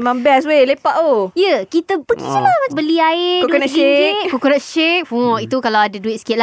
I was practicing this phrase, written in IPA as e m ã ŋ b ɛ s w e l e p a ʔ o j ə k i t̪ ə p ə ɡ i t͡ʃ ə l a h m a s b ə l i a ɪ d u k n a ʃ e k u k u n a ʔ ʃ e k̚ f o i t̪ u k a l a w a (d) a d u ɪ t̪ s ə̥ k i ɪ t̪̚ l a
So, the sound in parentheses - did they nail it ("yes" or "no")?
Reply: yes